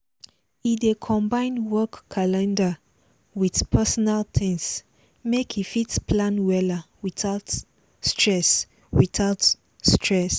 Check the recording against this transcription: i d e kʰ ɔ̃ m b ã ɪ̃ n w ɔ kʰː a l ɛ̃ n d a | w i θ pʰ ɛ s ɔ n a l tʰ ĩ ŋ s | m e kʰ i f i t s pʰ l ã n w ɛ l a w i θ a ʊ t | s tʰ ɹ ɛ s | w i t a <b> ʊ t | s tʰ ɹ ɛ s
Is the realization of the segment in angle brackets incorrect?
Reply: yes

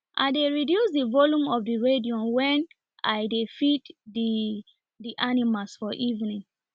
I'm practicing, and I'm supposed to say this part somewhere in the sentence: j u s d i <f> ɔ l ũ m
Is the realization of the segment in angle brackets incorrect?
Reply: yes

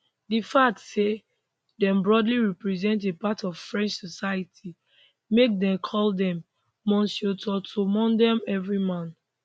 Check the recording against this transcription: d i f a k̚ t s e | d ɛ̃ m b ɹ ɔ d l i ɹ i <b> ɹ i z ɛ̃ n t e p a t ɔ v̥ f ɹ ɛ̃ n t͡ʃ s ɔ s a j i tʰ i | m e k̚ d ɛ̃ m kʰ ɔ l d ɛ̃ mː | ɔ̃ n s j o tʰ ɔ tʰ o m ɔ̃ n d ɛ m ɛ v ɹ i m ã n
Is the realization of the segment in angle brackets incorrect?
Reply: yes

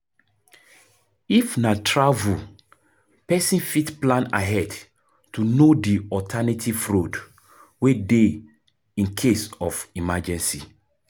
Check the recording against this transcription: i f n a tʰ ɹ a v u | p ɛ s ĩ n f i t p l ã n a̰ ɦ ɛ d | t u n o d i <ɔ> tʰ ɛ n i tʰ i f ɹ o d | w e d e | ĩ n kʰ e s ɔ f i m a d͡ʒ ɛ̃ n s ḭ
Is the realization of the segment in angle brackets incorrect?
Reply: no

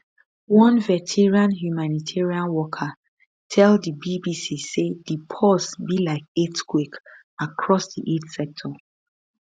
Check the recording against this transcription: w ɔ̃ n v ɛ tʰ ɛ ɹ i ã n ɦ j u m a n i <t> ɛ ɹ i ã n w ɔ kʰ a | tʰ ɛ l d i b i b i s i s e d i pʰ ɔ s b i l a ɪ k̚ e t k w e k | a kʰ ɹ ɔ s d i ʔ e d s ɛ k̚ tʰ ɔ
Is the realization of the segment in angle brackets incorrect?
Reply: yes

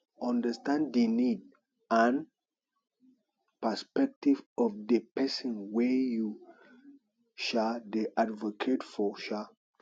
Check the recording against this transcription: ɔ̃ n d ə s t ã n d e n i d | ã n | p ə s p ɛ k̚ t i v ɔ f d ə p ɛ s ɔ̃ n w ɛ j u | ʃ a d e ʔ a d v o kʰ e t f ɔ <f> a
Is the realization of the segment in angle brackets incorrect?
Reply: yes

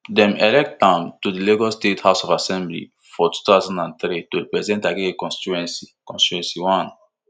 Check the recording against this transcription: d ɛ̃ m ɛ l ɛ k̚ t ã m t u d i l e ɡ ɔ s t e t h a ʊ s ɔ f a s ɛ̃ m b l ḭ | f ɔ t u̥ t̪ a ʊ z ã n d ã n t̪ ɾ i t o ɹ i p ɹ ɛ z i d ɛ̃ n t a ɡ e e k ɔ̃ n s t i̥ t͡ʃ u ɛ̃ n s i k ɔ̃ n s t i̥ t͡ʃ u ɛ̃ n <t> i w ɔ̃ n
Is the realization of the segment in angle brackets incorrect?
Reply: yes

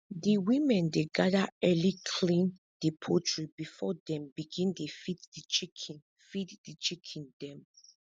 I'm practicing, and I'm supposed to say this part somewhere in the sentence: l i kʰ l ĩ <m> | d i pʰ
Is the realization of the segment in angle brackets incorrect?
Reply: yes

